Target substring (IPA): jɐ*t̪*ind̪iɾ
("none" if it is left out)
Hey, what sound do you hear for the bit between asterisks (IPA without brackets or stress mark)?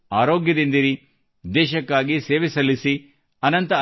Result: d̪